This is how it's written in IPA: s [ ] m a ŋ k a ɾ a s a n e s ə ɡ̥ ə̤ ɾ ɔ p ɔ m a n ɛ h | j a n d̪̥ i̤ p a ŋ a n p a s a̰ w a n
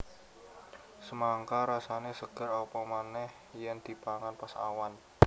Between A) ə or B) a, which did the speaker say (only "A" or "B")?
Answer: A